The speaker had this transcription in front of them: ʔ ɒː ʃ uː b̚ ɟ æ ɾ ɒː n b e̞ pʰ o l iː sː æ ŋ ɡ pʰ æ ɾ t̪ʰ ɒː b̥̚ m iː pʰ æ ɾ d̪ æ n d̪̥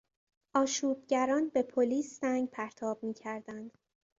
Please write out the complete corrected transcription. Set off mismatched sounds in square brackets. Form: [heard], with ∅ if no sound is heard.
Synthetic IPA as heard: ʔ ɒː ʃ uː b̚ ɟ æ ɾ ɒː n b e̞ pʰ o l iː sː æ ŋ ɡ pʰ æ ɾ t̪ʰ ɒː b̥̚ m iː [cʰ] æ ɾ d̪ æ n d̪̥